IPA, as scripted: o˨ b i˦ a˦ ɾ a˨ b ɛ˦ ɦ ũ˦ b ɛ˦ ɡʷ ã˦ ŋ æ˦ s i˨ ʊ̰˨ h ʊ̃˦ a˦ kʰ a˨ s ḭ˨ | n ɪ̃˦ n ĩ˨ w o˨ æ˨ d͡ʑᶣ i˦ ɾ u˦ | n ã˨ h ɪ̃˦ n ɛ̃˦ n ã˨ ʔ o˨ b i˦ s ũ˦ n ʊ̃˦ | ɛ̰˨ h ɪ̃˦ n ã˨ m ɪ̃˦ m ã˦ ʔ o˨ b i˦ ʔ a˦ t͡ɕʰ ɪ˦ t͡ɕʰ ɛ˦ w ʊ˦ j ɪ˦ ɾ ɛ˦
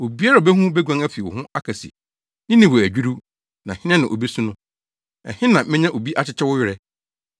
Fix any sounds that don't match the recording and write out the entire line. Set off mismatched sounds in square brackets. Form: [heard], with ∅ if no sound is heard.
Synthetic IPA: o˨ b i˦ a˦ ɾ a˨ b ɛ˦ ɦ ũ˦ b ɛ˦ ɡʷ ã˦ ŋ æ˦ [f] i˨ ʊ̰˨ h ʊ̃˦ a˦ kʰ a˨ s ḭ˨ | n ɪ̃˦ n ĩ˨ w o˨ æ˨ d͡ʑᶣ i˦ ɾ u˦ | n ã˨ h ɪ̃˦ n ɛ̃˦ n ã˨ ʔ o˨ b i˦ s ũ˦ n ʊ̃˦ | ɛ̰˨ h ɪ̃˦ n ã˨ m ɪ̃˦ [ɲ] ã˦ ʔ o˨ b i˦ ʔ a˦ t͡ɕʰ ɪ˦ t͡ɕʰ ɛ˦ w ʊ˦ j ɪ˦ ɾ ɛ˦